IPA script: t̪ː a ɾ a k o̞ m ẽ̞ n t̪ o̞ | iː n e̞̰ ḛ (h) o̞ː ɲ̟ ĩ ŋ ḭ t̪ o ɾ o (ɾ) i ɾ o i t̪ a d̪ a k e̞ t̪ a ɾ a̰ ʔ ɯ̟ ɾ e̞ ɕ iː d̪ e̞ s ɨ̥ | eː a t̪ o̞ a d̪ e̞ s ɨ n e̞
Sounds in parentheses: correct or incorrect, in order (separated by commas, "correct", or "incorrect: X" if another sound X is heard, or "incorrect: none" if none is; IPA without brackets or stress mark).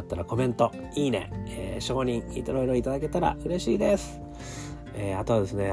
incorrect: ɕ, incorrect: none